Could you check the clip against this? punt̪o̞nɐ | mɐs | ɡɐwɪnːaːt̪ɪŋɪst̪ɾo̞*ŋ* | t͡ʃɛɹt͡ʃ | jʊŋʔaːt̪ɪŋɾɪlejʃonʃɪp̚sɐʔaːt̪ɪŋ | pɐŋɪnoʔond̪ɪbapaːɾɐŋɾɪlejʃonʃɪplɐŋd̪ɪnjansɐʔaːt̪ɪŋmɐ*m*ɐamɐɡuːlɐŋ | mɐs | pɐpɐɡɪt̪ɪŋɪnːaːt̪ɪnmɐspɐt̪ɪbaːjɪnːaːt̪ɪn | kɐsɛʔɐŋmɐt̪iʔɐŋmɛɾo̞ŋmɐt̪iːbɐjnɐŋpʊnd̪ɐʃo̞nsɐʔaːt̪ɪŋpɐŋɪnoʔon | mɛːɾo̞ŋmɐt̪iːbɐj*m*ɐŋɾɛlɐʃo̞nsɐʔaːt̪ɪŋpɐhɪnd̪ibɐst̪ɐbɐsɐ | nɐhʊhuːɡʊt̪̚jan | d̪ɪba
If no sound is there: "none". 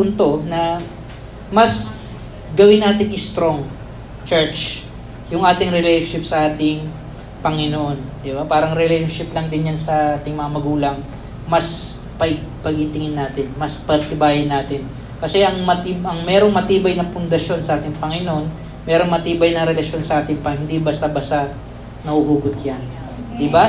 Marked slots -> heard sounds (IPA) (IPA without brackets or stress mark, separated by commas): ŋ, ŋ, n